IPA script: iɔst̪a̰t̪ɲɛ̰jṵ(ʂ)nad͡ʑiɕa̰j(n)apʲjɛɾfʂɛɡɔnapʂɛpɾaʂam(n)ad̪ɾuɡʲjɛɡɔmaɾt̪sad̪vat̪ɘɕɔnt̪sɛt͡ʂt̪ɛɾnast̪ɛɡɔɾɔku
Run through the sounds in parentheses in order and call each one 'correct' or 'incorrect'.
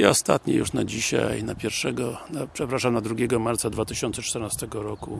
correct, correct, correct

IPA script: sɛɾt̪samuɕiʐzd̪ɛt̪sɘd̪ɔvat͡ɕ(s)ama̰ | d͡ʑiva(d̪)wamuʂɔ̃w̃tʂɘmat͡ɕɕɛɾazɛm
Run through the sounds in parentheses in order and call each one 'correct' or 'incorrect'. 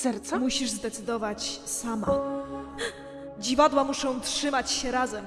correct, correct

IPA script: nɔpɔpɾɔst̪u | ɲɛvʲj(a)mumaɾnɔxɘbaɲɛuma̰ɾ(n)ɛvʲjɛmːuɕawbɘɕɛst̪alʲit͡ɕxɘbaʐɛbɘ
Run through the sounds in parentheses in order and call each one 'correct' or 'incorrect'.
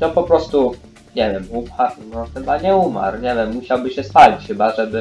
incorrect: ɛ, incorrect: ɲ

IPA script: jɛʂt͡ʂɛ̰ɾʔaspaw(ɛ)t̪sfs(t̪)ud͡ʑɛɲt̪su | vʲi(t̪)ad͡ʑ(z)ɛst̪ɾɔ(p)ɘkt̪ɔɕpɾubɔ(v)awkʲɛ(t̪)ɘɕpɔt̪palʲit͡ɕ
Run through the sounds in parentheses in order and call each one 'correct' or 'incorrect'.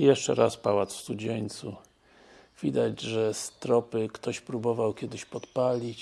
incorrect: a, correct, incorrect: d̪, incorrect: ʐ, correct, correct, incorrect: d̪

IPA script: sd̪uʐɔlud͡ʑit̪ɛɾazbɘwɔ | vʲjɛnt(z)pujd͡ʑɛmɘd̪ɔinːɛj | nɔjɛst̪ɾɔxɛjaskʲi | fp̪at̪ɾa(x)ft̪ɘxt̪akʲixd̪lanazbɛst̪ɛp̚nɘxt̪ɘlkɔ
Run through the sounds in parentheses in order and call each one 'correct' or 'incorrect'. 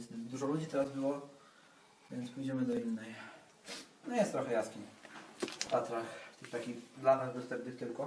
incorrect: s, correct

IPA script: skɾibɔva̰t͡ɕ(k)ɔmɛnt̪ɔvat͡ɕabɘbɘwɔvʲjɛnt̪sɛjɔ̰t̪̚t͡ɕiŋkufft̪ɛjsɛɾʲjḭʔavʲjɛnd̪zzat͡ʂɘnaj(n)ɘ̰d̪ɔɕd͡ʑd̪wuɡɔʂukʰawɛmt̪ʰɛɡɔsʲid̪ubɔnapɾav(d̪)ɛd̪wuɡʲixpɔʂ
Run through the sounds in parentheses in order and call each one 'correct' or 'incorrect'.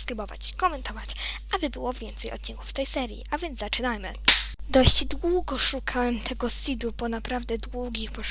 correct, incorrect: m, correct

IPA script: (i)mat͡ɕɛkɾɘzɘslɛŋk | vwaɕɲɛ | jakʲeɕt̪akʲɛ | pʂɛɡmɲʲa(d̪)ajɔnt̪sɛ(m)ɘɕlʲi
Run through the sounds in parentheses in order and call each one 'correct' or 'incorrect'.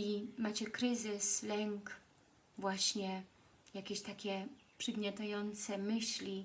correct, incorrect: t̪, correct

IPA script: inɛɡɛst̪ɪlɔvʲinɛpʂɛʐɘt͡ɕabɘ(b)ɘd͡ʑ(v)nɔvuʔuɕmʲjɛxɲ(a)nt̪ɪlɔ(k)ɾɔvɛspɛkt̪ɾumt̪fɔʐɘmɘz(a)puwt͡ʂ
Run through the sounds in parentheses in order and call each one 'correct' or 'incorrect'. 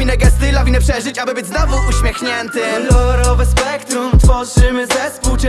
correct, incorrect: z, incorrect: ɛ, incorrect: none, incorrect: ɛ

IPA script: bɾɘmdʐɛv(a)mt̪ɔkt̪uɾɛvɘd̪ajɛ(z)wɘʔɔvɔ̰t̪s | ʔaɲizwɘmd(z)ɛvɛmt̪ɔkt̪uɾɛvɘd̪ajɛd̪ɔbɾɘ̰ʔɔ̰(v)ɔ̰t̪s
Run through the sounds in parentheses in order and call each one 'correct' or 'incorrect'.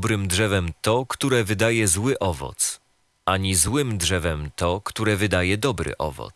incorrect: ɛ, correct, incorrect: ʐ, correct

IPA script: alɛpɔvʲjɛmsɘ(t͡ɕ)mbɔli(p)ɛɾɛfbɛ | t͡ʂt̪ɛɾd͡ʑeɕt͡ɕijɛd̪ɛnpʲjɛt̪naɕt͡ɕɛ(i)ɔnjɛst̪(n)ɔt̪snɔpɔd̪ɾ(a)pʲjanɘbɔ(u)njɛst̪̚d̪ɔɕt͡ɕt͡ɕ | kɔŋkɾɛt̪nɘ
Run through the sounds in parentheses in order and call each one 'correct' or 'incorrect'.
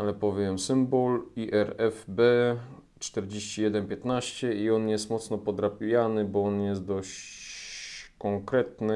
incorrect: none, incorrect: ʔ, correct, incorrect: m, correct, incorrect: ɔ

